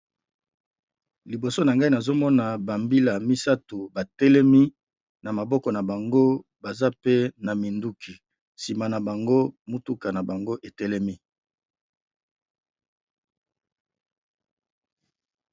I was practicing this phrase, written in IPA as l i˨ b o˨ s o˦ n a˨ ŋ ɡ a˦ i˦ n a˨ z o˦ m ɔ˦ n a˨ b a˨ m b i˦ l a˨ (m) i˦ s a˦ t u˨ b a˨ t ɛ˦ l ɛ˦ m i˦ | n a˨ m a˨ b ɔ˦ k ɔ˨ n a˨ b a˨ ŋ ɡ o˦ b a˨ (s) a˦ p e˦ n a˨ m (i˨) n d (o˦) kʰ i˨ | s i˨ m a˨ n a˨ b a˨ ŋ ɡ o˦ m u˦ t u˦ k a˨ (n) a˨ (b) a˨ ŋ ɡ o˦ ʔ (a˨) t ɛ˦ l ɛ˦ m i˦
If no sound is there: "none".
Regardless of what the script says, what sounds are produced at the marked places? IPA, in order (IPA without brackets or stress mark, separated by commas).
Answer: m, z, i˨, u˦, n, b, e˨